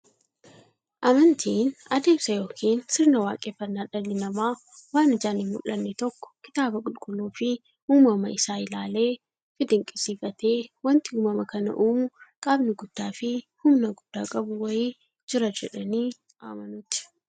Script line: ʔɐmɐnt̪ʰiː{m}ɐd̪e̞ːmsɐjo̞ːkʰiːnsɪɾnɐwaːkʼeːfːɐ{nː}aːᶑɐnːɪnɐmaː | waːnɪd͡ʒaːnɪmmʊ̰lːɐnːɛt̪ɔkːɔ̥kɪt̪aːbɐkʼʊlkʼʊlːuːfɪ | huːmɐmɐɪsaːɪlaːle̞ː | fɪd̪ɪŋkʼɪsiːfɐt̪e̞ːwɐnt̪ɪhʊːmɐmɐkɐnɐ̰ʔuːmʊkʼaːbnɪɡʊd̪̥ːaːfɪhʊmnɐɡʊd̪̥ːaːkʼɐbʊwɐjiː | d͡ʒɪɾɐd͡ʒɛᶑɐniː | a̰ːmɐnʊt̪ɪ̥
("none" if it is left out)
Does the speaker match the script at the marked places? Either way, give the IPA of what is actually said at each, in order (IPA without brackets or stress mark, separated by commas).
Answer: n, nː